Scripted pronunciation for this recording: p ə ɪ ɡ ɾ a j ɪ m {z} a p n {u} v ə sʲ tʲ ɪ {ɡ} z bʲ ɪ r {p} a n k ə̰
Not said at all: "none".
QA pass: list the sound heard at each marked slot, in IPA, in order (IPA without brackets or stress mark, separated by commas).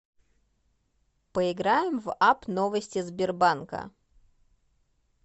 v, o, none, b